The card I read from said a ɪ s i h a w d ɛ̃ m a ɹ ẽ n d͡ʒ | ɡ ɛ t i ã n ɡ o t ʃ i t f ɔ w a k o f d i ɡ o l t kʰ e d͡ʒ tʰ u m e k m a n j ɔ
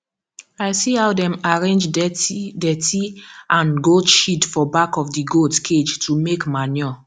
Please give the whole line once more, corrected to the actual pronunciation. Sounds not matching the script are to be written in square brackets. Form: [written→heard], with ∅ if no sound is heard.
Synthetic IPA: a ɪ s i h a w d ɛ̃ m a ɹ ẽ n d͡ʒ | [ɡ→d] ɛ t i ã n ɡ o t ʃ i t f ɔ [w→b] a k [o→ɔ] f d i ɡ o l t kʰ e d͡ʒ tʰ u m e k m a n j ɔ